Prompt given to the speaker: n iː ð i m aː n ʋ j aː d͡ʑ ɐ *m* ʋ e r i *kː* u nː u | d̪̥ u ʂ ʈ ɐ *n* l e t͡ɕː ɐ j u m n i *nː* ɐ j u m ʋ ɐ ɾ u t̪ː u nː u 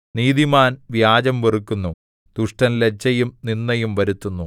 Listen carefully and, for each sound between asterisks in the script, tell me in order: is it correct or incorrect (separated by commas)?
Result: correct, correct, correct, correct